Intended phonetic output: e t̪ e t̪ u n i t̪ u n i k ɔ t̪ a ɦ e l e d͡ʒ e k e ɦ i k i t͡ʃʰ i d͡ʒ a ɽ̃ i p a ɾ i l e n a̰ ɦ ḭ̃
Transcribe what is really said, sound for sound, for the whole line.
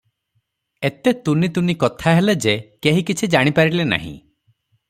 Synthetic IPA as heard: e t̪ e t̪ u n i t̪ u n i k ɔ t̪ʰ a ɦ e l e d͡ʒ e k e ɦ i k i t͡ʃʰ i d͡ʒ a ɽ̃ i p a ɾ i l e n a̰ ɦ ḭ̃